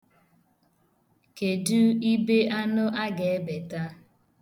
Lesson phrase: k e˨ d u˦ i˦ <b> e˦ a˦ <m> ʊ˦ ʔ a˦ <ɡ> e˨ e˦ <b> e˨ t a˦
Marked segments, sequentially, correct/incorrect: correct, incorrect, correct, correct

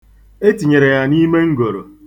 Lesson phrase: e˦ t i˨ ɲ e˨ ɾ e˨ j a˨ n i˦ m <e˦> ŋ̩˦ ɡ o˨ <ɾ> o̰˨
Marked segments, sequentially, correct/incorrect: correct, correct

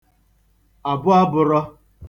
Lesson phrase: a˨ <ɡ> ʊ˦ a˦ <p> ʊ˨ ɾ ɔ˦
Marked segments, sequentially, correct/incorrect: incorrect, incorrect

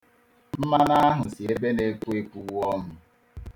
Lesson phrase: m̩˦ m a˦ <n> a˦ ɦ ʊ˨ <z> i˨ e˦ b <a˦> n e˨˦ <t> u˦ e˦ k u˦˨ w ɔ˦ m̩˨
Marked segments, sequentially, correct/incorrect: correct, incorrect, incorrect, incorrect

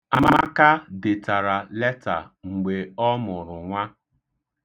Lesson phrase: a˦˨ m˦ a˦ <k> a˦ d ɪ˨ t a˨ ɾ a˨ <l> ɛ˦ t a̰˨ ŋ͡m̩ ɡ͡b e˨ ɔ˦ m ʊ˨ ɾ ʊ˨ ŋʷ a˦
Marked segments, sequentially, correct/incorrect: correct, correct

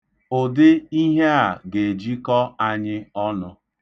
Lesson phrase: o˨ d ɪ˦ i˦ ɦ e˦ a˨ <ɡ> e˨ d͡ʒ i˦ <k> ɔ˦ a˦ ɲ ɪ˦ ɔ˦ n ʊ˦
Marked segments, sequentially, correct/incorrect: correct, correct

